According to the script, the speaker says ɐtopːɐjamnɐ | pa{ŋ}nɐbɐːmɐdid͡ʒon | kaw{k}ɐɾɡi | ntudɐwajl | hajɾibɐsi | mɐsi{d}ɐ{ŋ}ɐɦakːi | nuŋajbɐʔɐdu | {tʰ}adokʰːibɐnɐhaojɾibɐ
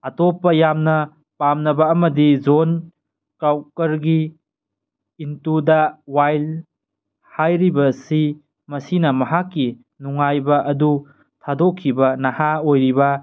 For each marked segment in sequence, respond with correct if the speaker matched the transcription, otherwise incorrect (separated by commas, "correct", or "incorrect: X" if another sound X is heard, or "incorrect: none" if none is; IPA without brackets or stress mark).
incorrect: m, correct, incorrect: n, incorrect: m, correct